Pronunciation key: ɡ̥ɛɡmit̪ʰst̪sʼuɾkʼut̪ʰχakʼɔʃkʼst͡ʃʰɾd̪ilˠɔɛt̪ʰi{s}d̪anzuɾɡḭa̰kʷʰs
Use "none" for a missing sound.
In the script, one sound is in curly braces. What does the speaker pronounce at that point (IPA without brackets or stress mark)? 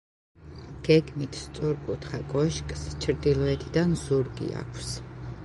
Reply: none